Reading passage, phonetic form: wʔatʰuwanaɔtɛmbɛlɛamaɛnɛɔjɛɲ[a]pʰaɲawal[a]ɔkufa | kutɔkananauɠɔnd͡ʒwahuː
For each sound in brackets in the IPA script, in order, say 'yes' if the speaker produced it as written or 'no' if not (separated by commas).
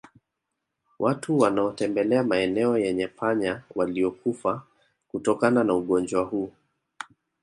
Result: no, no